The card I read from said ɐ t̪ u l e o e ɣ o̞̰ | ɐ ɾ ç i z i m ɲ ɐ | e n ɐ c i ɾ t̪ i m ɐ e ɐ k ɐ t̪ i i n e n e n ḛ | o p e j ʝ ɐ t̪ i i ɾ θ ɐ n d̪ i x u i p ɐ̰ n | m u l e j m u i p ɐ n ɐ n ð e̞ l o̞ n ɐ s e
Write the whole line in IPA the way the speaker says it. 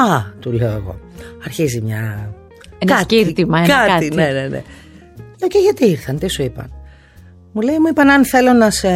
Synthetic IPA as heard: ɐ t̪ u l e o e ɣ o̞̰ | ɐ ɾ ç i z i m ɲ ɐ | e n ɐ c i ɾ t̪ i m ɐ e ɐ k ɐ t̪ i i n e n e n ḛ | o c e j ʝ ɐ t̪ i i ɾ θ ɐ n t̪ i s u i p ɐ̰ n | m u l e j m u i p ɐ n ɐ n θ e̞ l o̞ n ɐ s e